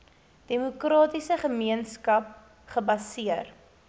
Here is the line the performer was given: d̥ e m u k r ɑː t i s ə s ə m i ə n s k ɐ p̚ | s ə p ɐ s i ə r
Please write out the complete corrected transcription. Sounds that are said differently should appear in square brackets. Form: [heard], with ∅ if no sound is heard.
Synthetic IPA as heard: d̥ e m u k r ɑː t i s ə [χ] ə m i ə n s k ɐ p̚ | [χ] ə [b] ɐ s i ə r